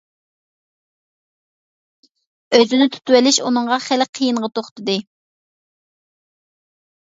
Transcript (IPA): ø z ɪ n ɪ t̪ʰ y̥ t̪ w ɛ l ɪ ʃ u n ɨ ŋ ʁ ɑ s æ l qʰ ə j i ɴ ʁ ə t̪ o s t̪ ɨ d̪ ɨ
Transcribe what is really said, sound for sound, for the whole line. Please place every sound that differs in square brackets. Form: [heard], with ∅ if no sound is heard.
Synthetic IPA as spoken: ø z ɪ n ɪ t̪ʰ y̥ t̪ w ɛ l ɪ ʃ u n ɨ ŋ ʁ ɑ [χ] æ l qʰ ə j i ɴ ʁ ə t̪ o [χ] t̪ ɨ d̪ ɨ